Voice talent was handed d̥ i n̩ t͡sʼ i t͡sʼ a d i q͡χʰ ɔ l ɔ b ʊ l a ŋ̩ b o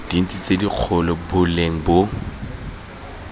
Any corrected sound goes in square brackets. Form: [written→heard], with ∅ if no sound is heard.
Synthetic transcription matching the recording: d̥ i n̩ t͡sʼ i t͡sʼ [a→e] d i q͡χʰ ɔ l ɔ b ʊ l [a→e] ŋ̩ b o